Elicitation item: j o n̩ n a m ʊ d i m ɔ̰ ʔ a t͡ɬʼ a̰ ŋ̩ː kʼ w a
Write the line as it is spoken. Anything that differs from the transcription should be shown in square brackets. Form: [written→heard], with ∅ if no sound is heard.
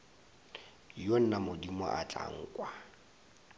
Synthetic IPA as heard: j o n̩ n a m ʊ d i m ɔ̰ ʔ a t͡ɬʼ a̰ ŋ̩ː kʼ w a